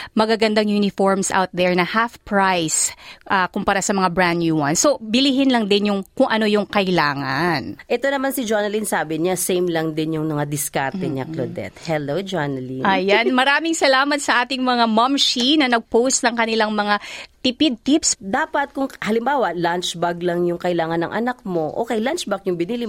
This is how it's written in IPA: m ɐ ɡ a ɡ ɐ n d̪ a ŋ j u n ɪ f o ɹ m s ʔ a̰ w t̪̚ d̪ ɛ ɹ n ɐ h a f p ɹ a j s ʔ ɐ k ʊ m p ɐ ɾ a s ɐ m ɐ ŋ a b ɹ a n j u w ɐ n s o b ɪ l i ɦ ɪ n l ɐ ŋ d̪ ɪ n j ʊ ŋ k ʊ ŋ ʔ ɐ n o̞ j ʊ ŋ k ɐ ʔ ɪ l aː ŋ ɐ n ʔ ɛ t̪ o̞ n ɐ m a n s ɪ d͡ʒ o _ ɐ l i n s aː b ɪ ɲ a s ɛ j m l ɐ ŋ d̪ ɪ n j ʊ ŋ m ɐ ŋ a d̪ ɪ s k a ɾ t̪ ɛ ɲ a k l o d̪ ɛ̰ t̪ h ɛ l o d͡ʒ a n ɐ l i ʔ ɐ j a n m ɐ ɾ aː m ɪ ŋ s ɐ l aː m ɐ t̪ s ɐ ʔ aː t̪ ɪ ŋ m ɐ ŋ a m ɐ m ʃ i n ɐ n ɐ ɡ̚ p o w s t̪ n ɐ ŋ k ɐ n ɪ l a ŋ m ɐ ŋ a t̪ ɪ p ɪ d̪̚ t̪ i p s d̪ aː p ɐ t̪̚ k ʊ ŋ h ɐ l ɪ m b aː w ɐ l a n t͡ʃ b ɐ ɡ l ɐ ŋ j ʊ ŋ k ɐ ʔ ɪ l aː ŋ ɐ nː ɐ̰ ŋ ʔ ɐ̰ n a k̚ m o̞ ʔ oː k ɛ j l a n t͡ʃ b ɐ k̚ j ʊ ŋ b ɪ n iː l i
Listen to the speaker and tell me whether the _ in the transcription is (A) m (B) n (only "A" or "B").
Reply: B